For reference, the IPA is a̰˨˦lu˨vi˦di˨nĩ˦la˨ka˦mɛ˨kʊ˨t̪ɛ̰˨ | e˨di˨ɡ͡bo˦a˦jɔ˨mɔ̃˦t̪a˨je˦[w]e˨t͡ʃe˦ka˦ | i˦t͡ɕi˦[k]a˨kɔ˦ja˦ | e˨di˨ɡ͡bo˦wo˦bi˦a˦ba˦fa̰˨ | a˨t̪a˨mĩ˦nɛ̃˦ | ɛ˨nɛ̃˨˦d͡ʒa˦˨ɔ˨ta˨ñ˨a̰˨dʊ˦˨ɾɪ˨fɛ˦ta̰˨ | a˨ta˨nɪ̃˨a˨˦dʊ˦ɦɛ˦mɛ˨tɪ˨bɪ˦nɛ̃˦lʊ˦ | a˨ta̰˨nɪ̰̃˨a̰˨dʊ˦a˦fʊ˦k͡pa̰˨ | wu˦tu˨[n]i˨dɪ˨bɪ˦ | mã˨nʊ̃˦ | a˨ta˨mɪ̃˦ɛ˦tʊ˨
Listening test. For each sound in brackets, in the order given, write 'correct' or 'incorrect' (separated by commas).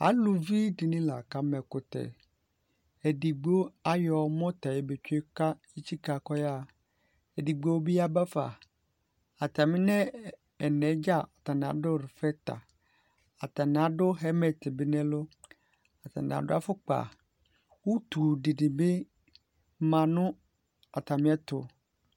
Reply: incorrect, correct, incorrect